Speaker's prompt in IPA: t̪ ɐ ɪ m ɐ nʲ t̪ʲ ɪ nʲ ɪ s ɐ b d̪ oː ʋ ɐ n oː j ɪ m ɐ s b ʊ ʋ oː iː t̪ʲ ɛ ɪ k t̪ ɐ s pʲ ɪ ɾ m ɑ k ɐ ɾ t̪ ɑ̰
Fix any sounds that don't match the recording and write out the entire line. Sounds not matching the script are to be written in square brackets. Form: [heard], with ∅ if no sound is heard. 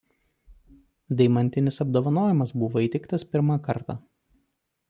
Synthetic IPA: [d̪] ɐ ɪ m ɐ nʲ t̪ʲ ɪ nʲ ɪ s ɐ b d̪ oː ʋ ɐ n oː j ɪ m ɐ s b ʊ ʋ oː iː t̪ʲ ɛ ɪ k t̪ ɐ s pʲ ɪ ɾ m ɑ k ɐ ɾ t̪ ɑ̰